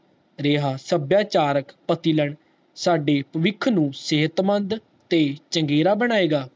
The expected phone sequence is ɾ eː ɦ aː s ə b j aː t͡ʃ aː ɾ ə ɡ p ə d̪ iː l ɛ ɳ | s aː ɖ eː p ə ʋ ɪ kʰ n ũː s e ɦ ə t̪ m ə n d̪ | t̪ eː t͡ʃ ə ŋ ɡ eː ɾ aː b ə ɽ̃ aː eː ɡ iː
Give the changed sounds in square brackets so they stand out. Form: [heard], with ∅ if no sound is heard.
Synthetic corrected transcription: ɾ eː ɦ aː s ə b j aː t͡ʃ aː ɾ ə [k] p ə [t̪] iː l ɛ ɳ | s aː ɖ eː p ə ʋ ɪ kʰ n ũː s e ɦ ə t̪ m ə n d̪ | t̪ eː t͡ʃ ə ŋ ɡ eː ɾ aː b ə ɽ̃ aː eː ɡ [aː]